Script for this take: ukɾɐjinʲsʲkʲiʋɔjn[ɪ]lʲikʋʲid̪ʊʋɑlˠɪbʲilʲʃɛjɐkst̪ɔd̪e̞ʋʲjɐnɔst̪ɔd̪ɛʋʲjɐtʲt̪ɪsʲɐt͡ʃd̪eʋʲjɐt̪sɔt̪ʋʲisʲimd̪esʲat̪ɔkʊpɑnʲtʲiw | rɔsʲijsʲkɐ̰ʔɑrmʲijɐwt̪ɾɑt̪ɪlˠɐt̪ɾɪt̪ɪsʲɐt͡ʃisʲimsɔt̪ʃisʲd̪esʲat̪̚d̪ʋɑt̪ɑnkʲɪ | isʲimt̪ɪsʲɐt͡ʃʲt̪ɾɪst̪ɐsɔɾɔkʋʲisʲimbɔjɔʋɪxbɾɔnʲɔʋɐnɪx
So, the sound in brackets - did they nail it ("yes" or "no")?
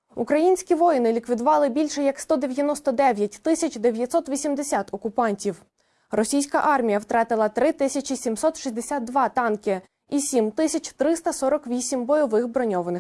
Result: yes